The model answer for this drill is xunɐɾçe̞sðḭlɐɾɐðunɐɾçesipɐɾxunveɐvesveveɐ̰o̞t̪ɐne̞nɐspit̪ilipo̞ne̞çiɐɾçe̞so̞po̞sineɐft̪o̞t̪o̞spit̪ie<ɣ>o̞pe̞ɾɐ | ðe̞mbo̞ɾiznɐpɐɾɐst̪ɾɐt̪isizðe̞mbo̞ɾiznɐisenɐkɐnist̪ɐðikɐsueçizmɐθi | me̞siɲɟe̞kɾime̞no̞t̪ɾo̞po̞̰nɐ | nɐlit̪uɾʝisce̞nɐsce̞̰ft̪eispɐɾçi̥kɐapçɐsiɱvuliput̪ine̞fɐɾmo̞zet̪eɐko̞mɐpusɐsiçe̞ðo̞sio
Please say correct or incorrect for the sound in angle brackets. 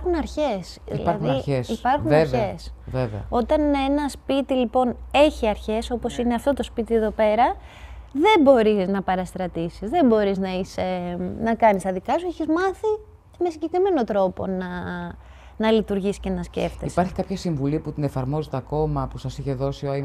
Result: incorrect